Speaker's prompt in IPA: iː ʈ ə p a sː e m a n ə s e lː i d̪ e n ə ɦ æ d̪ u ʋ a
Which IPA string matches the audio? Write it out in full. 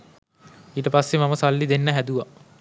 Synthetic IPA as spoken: iː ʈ ə p a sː e m a m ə s a lː i d̪ e nː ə ɦ æ d̪ u ʋ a